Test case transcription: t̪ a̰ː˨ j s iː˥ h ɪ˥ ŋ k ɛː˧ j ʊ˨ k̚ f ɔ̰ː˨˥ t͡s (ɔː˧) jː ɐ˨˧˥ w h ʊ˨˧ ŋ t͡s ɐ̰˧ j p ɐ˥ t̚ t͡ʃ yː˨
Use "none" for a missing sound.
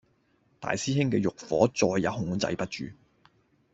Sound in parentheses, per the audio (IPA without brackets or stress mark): ɔː˧